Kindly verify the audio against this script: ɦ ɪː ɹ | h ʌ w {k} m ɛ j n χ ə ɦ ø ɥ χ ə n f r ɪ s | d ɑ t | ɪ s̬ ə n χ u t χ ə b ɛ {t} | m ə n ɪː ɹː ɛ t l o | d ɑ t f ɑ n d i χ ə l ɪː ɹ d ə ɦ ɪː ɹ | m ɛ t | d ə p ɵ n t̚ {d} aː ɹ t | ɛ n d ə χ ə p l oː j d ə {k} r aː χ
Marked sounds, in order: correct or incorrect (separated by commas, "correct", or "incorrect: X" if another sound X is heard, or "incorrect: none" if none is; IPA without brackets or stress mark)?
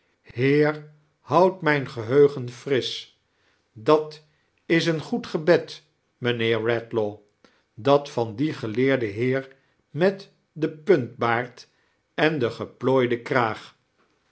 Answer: incorrect: t, correct, incorrect: b, correct